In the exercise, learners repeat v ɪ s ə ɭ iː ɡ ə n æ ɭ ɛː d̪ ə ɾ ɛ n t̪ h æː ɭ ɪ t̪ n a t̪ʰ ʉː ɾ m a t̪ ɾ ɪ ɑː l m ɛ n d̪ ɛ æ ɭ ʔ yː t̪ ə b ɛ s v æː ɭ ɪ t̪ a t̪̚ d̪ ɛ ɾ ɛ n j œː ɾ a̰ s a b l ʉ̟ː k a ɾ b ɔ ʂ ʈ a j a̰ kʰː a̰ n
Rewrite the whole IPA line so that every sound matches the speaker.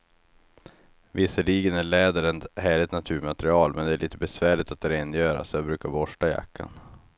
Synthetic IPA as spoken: v ɪ s ə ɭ iː ɡ ə n æ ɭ ɛː d̪ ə ɾ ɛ n t̪ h æː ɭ ɪ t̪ n a t̪ʰ ʉː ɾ m a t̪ ɾ ɪ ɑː l m ɛ n d̪ ɛ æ ɭ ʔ iː t̪ ə b ɛ s v æː ɭ ɪ t̪ a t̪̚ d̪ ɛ ɾ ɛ n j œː ɾ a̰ s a b ɾ ʉ̟ː k a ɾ b ɔ ʂ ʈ a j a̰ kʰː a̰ n